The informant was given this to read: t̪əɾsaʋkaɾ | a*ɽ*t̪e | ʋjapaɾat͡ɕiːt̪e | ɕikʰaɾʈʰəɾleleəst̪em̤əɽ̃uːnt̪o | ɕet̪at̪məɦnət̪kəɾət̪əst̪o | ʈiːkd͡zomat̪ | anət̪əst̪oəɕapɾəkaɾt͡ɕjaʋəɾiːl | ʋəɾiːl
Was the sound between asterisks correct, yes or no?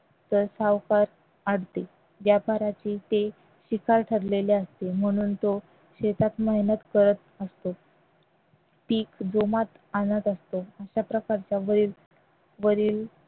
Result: yes